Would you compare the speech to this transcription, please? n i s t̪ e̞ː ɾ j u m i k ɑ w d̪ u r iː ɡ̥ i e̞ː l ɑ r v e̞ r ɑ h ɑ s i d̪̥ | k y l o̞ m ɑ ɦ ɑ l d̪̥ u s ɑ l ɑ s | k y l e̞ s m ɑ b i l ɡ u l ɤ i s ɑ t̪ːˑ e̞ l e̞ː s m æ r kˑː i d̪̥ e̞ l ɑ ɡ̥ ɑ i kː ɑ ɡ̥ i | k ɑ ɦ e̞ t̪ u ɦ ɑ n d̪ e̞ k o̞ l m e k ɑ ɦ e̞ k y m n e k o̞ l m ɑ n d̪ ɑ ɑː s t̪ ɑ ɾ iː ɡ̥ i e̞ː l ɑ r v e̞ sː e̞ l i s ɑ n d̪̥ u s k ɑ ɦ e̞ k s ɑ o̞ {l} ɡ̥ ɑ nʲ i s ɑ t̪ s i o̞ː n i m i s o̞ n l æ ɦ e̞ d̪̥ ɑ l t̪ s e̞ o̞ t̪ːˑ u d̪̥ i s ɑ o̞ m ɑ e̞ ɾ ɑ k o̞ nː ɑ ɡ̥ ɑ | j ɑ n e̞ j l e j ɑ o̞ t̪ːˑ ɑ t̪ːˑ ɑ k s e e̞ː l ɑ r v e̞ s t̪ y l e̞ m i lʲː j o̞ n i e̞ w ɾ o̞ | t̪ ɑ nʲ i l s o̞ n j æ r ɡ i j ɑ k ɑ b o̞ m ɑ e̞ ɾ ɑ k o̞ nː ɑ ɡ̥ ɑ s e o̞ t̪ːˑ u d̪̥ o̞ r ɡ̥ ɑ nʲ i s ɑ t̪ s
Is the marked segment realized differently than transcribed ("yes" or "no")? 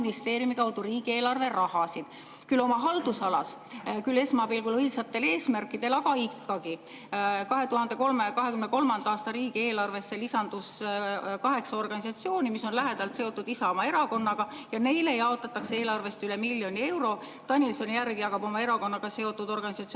yes